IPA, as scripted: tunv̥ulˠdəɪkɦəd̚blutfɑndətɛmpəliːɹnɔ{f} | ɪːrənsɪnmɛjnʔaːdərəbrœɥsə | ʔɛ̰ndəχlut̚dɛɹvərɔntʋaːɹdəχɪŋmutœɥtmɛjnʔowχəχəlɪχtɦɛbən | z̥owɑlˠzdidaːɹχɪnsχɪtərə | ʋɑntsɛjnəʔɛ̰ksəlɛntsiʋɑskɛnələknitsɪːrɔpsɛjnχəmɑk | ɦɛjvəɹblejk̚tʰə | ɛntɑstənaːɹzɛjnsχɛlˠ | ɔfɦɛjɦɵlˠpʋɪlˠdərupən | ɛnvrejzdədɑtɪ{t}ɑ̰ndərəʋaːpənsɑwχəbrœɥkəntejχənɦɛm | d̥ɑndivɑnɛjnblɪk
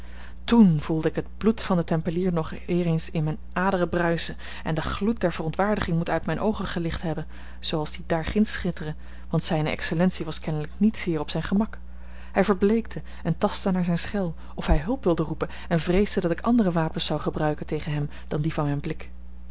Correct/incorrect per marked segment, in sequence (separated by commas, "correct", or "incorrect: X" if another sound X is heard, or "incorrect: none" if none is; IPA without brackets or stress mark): incorrect: χ, incorrect: k